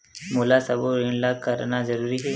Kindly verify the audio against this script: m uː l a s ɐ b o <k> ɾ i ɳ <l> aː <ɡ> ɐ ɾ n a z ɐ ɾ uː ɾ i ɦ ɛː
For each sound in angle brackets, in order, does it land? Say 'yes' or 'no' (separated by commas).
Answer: no, yes, no